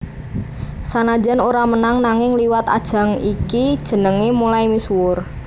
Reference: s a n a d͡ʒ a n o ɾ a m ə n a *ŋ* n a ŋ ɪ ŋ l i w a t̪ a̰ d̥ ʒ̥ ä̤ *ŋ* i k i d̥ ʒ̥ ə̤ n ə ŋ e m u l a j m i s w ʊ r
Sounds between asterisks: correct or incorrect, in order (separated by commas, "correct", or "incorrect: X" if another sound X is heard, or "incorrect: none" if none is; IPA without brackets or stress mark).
correct, correct